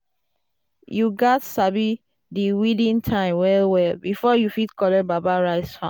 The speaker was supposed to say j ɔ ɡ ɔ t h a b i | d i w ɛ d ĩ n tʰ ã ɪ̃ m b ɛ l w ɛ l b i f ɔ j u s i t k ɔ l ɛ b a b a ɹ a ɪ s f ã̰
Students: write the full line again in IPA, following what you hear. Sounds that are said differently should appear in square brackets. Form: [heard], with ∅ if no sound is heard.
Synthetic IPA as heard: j [u] ɡ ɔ t [s] a b i | d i w [i] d ĩ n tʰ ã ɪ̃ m [w] ɛ l w ɛ l b i f ɔ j u [f] i t k ɔ l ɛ b a b a ɹ a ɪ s f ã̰